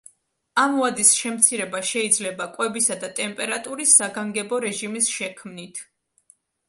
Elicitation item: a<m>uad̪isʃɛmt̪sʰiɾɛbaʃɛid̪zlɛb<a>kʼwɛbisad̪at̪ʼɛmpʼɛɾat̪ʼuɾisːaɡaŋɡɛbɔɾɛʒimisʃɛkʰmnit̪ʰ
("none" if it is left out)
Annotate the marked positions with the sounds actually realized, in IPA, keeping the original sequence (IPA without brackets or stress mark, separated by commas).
m, a